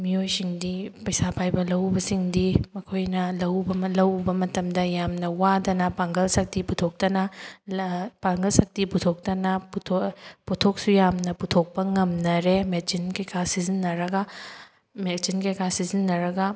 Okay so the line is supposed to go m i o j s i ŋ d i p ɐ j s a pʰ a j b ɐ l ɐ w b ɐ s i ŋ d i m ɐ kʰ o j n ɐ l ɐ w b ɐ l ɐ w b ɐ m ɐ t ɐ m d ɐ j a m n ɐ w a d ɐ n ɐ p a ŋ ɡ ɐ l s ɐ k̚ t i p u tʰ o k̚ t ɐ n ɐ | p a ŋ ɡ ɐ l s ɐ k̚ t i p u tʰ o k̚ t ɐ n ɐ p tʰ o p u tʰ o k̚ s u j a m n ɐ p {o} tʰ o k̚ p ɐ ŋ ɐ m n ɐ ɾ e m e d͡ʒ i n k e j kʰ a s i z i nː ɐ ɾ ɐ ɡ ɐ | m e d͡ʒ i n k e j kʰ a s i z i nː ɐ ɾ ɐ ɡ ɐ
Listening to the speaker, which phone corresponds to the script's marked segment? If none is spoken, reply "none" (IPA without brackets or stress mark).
u